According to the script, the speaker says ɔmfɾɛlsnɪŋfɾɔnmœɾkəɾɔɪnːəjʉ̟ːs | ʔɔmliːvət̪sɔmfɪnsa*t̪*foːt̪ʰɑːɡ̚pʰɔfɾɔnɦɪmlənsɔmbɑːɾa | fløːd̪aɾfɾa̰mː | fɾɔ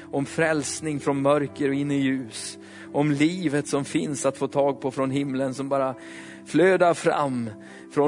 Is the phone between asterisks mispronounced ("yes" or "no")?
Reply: no